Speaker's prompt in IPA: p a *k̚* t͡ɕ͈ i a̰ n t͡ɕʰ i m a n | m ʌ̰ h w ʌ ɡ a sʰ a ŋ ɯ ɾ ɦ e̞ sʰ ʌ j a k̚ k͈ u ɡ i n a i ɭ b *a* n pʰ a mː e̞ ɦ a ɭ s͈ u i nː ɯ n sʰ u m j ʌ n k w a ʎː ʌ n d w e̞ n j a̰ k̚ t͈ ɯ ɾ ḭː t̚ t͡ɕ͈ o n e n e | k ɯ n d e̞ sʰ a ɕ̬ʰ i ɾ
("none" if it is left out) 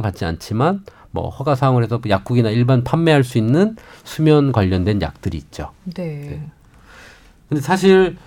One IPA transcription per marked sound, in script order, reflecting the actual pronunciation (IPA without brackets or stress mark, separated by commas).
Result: t̚, a